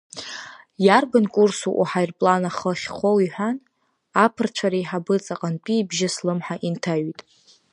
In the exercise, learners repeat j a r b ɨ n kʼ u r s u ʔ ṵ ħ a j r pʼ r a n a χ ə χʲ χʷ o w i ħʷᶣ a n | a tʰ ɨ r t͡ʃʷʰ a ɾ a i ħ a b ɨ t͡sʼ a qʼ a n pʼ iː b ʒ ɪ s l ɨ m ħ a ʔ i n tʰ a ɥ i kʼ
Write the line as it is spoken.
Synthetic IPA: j a r b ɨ n kʼ u r s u ʔ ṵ ħ a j r pʼ l a n a χ ə χʲ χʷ o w i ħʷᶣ a n | a pʰ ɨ r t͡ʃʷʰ a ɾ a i ħ a b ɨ t͡sʼ a qʼ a n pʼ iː b ʒ ɪ s l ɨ m ħ a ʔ i n tʰ a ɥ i tʼ